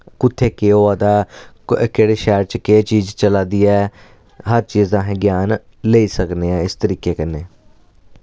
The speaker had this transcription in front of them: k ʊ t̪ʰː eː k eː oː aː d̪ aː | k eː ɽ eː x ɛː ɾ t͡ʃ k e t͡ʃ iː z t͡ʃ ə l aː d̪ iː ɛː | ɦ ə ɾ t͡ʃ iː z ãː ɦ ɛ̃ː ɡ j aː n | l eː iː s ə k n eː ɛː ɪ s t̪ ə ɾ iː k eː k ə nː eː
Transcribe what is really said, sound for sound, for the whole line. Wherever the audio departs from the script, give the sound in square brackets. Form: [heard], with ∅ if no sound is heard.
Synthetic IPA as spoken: k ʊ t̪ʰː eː k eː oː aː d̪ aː | k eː ɽ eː [ʃ] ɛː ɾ t͡ʃ k e t͡ʃ iː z t͡ʃ ə l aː d̪ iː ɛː | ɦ ə ɾ t͡ʃ iː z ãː ɦ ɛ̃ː ɡ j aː n | l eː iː s ə k n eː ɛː ɪ s t̪ ə ɾ iː k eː k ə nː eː